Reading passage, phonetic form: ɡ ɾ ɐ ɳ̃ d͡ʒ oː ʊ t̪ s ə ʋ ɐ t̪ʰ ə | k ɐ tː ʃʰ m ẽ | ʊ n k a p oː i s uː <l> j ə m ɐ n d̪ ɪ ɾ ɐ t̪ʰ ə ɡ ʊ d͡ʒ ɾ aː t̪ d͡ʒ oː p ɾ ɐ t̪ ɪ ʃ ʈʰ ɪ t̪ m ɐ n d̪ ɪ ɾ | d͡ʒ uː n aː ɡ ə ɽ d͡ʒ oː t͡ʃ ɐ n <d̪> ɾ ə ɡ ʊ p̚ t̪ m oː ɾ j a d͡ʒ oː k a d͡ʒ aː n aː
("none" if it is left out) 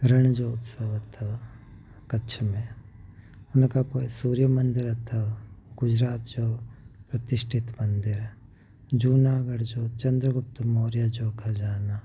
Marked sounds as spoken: ɾ, d̪

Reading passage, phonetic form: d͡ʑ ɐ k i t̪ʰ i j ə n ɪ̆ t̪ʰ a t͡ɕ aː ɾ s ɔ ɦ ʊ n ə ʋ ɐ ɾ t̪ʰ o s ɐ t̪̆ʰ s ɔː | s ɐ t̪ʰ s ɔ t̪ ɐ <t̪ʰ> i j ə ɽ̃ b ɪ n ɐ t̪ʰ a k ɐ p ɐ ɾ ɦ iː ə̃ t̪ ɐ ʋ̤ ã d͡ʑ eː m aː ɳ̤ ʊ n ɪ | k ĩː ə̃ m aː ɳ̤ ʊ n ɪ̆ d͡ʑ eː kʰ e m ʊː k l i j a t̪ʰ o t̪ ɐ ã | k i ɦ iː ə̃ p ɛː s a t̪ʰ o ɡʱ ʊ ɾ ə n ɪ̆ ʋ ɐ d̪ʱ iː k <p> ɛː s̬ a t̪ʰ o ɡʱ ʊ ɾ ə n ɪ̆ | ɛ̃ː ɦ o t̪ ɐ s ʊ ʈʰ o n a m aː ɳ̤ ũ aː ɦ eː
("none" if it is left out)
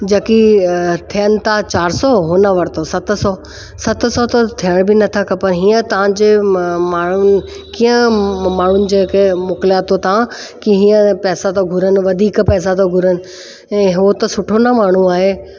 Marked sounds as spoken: t̪ʰ, p

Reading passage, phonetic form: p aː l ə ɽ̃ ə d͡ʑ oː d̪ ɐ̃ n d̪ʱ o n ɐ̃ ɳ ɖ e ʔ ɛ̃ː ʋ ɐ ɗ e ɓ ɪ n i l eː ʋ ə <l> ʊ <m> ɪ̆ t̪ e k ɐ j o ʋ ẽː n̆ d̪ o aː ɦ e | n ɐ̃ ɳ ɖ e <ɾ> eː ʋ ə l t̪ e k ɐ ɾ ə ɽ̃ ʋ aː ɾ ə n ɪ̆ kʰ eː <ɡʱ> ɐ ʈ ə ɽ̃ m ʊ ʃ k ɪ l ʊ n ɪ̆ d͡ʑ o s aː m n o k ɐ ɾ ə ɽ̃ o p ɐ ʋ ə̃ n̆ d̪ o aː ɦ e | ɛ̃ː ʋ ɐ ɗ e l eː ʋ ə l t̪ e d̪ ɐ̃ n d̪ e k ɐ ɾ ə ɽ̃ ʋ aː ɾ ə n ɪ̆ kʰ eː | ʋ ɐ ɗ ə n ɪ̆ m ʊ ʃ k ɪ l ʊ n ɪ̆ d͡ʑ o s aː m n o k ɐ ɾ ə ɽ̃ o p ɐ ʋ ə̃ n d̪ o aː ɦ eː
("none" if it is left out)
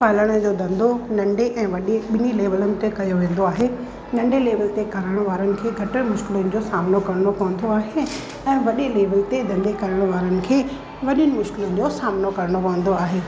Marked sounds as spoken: l, n, l, ɡʱ

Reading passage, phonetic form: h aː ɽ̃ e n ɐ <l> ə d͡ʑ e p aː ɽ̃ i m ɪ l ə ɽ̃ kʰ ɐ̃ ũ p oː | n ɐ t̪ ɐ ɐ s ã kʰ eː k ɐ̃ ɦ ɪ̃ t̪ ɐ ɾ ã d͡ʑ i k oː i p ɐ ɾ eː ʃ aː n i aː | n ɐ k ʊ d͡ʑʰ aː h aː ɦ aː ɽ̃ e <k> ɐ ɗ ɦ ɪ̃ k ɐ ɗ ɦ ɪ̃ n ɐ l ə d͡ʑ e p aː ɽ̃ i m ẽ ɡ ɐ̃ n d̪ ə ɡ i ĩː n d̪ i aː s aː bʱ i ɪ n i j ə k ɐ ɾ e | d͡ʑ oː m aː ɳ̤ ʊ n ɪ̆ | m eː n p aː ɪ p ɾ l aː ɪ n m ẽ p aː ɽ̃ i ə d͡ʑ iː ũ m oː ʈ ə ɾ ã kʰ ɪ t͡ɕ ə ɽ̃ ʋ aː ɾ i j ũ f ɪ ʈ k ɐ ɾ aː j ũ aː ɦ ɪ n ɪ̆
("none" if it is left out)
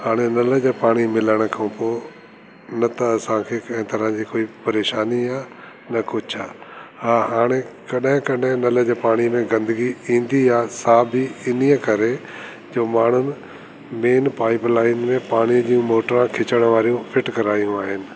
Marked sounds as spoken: l, k

